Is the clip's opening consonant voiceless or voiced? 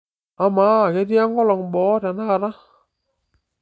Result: voiced